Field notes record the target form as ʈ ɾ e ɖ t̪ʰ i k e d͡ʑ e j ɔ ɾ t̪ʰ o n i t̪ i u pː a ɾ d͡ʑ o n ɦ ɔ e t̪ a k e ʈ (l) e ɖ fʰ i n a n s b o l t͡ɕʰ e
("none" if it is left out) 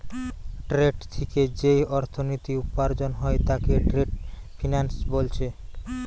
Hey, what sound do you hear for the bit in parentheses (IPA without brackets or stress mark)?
ɾ